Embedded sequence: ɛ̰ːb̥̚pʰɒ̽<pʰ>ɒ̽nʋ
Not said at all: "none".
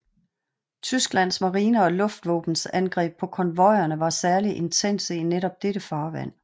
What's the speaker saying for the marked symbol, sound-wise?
kʰ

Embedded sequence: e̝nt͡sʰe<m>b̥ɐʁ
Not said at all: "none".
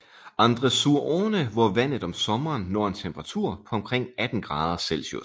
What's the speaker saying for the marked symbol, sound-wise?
m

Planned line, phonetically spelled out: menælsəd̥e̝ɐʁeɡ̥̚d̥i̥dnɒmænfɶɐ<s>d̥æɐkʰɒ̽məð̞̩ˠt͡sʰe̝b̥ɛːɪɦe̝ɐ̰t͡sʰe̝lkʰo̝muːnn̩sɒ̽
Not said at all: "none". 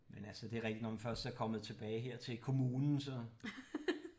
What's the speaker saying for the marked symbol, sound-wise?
s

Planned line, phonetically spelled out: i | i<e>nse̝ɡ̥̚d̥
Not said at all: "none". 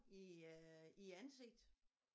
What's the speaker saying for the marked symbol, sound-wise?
æ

